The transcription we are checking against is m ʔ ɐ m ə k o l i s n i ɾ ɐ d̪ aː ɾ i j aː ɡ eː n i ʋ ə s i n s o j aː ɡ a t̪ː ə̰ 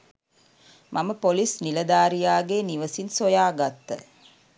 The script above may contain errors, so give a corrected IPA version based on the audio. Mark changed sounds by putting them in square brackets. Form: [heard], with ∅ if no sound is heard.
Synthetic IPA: m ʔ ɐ m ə [p] o l i s n i [l] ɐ d̪ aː ɾ i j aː ɡ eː n i ʋ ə s i n s o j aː ɡ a t̪ː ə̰

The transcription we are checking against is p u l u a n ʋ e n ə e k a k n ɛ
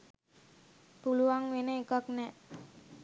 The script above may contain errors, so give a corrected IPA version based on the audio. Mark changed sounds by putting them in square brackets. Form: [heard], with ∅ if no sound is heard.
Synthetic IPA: p u l u a [ŋ] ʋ e n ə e k a k n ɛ

